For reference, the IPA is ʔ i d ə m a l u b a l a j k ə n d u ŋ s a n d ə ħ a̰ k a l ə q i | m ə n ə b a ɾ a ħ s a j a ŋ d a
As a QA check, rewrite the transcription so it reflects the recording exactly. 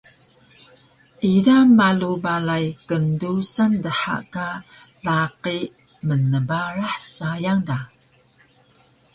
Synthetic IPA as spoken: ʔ i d a m a l u b a l a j k ə n d u s a n d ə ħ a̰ k a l a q i | m ə n ə b a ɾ a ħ s a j a ŋ d a